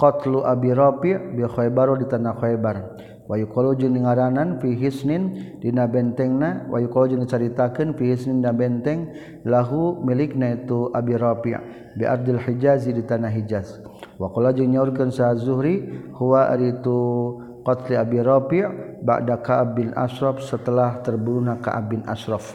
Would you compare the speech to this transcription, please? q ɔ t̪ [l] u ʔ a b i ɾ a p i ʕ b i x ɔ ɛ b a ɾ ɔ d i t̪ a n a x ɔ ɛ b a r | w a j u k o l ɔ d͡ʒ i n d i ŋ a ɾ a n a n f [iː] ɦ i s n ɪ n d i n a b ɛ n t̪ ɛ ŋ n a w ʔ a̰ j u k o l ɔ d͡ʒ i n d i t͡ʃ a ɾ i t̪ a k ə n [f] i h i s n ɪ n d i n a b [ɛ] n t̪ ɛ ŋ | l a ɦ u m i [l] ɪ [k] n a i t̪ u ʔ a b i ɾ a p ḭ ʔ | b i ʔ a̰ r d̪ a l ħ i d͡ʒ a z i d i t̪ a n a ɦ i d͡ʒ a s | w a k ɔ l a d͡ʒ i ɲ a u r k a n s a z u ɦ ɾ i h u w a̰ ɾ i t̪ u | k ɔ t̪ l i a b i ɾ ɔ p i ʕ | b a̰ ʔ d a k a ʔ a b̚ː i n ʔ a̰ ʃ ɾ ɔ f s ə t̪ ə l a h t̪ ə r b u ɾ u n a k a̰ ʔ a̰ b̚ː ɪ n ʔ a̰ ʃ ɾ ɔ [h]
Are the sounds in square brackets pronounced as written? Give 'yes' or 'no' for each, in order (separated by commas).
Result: yes, no, yes, yes, yes, yes, no